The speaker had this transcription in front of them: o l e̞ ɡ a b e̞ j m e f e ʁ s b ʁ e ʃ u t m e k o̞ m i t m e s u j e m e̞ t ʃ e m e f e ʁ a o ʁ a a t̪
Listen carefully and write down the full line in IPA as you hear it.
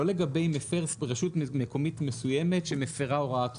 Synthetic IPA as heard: o l e̞ ɡ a b e̞ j m e f e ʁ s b ʁ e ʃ u t m e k o̞ m i t m e s u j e m e̞ t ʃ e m e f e ʁ a o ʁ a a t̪